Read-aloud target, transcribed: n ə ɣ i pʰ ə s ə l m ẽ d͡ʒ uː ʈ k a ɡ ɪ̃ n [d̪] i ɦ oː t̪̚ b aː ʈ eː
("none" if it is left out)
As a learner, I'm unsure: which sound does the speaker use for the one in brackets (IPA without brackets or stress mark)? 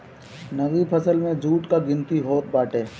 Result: t̪